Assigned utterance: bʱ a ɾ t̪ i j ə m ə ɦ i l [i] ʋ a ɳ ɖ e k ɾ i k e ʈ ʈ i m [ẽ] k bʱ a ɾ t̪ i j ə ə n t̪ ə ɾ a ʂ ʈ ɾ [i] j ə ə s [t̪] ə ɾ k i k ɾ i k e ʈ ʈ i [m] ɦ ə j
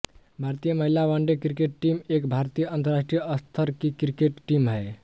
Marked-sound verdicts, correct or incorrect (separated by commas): incorrect, incorrect, correct, incorrect, correct